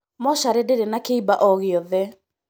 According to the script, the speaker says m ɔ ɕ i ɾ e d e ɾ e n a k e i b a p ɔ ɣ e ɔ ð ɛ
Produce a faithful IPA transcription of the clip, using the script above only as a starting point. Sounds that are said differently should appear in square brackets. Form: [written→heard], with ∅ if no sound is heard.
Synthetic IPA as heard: m ɔ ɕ [i→a] ɾ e d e ɾ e n a k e i b a [p→ʔ] ɔ ɣ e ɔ ð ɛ

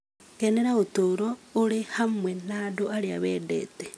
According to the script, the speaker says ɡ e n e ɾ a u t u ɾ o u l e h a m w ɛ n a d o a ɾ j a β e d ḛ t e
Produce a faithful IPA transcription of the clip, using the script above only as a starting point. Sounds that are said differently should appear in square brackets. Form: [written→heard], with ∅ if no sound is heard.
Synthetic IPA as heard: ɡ e n e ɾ a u t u ɾ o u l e h a m w [ɛ→e] n a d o a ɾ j a β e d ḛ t e

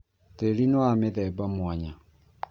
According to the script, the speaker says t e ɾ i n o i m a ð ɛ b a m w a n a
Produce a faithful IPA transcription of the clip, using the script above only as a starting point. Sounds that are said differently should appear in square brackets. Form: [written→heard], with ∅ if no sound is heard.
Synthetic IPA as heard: t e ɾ i n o [i→a] m [a→e] ð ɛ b a m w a [n→ɲ] a

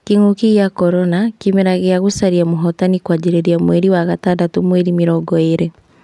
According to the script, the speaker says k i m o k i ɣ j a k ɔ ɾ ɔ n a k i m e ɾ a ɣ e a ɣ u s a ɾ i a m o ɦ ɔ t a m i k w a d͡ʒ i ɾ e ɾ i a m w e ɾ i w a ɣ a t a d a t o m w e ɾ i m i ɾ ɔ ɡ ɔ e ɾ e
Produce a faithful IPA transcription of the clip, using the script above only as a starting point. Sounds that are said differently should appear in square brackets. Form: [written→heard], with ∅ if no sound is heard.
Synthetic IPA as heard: k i [m→ŋ] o k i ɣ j a k ɔ ɾ ɔ n a k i m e ɾ a ɣ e a ɣ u s a ɾ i a m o ɦ ɔ t a [m→n] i k w a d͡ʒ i ɾ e ɾ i a m w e ɾ i w a ɣ a t a d a t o m w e ɾ i m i ɾ ɔ ɡ ɔ e ɾ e

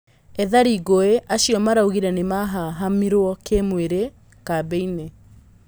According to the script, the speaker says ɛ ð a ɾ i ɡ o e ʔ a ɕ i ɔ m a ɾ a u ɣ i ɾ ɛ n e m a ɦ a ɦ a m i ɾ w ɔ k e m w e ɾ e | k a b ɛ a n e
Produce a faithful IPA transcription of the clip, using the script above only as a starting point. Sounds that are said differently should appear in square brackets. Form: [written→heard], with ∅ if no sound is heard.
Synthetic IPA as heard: ɛ ð a ɾ i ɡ o e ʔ a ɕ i ɔ m a ɾ a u ɣ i ɾ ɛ n e m a ɦ a ɦ a m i ɾ w ɔ k e m w e ɾ e | k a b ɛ [a→i] n e

